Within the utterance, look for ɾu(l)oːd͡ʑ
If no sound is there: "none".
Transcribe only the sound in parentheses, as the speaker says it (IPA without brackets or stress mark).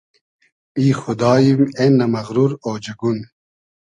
ɾ